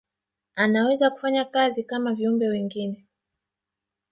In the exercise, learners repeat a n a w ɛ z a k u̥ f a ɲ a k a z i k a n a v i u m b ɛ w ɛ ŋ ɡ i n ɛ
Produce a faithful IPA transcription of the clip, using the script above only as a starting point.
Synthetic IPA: a n a w ɛ z a k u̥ f a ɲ a k a z i k a m a v i u m b ɛ w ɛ ŋ ɡ i n ɛ